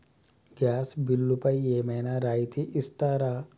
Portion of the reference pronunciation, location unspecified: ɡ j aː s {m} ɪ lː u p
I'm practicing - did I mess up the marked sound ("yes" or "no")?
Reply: yes